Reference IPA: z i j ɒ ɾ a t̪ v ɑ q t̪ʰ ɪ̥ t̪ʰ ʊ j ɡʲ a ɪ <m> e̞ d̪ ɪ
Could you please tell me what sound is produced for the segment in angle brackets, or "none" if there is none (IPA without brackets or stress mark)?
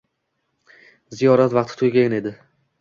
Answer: n